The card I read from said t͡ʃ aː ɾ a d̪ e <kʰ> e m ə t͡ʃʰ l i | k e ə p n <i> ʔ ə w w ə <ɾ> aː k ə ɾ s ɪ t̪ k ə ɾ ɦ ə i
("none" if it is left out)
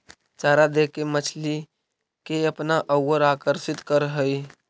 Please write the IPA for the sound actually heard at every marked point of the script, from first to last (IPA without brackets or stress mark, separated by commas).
k, a, ɾ